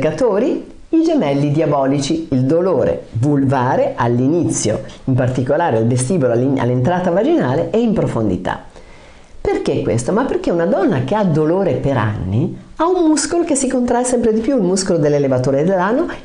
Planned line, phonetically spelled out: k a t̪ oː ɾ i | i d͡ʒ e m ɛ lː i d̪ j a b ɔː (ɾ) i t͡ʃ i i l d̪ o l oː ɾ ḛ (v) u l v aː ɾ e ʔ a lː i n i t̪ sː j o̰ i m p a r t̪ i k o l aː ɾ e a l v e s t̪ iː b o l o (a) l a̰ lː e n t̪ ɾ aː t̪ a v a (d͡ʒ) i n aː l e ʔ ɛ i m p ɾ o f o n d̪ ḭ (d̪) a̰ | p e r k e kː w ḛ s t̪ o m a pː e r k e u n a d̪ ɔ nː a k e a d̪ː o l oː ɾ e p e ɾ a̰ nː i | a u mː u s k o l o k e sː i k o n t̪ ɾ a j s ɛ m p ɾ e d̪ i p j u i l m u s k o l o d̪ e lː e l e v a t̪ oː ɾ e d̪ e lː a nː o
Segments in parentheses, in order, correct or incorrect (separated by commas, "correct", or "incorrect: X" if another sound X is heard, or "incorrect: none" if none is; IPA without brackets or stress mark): incorrect: l, correct, correct, correct, incorrect: t̪